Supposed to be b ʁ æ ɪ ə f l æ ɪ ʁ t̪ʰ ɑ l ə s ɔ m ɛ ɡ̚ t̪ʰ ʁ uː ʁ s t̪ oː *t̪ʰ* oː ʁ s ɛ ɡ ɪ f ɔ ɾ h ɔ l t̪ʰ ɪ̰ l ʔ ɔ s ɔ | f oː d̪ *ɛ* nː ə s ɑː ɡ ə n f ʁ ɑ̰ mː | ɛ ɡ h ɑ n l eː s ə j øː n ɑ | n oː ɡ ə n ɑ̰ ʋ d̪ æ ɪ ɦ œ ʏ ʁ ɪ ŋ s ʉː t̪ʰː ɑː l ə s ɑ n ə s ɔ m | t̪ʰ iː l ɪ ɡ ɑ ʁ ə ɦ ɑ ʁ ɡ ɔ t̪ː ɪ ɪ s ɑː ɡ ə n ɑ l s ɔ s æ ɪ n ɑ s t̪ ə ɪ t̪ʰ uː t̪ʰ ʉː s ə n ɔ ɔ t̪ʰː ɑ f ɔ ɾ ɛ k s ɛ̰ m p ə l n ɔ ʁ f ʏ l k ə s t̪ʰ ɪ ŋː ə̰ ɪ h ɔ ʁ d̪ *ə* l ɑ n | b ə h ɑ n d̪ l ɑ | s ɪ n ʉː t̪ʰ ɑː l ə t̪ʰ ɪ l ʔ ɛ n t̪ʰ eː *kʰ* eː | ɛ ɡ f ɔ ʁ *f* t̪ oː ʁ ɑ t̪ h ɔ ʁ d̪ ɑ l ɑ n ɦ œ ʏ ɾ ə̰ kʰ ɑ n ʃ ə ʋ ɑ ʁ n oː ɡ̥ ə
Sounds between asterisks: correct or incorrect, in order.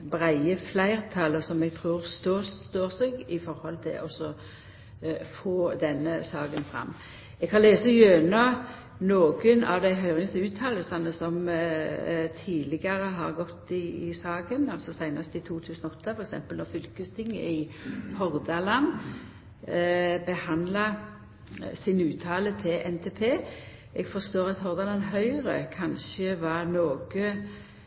incorrect: t̪, correct, incorrect: ɑ, incorrect: pʰ, incorrect: s

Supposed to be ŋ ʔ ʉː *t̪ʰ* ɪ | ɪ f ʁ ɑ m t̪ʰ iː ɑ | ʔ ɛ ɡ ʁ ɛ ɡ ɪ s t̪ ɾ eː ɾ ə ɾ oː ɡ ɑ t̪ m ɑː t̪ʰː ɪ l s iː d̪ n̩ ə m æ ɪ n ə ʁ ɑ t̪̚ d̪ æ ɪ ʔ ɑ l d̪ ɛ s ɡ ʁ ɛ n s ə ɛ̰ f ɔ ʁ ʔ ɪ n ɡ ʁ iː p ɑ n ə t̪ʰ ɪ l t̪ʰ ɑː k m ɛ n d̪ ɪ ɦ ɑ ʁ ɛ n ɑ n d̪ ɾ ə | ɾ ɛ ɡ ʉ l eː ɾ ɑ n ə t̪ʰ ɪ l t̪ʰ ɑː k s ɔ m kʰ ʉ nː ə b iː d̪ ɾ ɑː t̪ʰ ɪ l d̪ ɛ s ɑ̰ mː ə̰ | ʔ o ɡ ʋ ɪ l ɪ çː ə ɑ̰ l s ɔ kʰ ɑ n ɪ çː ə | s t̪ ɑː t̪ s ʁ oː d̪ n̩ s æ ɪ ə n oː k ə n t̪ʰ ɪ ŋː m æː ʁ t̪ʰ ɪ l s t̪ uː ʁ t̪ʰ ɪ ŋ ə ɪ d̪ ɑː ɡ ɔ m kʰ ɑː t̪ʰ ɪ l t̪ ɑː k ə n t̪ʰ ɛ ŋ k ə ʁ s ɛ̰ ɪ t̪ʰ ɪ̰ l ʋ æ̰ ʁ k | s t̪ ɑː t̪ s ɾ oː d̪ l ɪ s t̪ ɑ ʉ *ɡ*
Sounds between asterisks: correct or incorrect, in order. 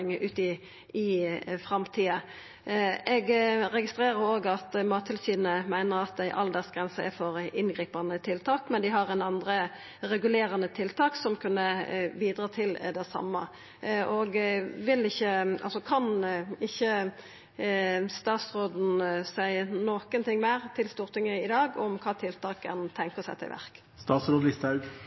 incorrect: t̪, correct

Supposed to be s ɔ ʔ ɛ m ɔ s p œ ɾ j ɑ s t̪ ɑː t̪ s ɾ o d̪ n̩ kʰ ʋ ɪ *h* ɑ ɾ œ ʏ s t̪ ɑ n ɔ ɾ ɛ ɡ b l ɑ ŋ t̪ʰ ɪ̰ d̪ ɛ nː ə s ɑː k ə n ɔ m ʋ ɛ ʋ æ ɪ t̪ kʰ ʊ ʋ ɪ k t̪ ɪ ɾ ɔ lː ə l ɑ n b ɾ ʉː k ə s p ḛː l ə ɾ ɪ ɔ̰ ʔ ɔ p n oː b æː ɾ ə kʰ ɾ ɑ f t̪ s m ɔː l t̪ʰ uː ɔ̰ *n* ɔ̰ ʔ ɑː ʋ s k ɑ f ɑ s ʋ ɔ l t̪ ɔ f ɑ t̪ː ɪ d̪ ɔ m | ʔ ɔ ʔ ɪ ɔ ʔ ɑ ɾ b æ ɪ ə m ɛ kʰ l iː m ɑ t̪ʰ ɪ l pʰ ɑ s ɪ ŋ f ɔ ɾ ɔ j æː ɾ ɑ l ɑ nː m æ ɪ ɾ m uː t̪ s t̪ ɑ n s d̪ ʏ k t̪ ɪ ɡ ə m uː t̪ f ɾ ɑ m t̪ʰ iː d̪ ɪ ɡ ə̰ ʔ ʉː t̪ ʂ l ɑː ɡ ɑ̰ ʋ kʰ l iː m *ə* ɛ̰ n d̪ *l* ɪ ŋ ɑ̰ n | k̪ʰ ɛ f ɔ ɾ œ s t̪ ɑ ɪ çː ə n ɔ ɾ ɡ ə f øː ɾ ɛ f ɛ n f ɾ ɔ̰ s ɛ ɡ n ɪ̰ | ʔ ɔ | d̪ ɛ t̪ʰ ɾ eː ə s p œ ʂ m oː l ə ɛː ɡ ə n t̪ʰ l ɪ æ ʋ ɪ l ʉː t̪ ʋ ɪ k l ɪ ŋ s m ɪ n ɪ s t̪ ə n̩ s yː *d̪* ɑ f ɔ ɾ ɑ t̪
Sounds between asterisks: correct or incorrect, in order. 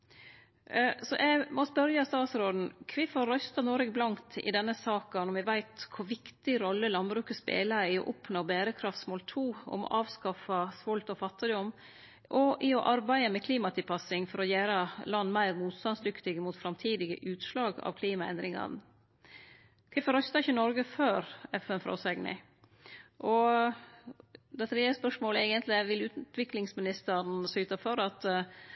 incorrect: f, incorrect: m, incorrect: ɑ, incorrect: ɾ, incorrect: t̪

